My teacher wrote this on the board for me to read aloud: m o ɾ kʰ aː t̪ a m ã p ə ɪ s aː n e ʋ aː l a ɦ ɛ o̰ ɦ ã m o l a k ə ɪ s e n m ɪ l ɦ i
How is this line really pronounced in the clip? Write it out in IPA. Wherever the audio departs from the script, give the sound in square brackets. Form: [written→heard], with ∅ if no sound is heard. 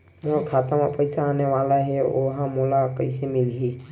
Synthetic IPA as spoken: m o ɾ kʰ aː t̪ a m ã p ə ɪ s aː n e ʋ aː l a ɦ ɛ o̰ ɦ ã m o l a k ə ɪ s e [n→∅] m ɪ l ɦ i